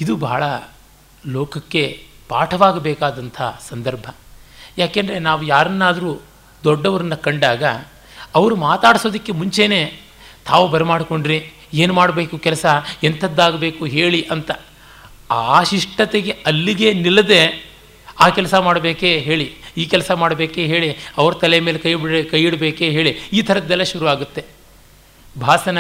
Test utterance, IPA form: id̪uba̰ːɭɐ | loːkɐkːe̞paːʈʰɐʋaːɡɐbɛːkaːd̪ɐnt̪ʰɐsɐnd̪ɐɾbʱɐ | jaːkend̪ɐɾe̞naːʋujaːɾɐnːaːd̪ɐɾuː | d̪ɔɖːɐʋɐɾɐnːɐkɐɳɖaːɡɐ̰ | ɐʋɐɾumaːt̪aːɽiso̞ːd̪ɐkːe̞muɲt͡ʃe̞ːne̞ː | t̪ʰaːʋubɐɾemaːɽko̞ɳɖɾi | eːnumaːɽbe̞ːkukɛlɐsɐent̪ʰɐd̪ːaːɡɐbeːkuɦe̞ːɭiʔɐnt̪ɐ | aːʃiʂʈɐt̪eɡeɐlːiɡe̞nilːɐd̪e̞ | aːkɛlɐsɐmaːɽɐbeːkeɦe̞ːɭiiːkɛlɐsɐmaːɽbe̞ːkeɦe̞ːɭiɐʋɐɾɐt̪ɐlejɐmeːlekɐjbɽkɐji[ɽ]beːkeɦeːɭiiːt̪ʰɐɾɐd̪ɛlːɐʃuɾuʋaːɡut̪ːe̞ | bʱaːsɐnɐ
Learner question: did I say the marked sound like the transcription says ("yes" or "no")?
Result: yes